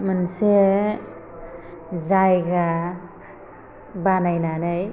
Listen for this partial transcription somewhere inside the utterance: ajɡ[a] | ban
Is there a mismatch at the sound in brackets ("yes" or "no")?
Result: no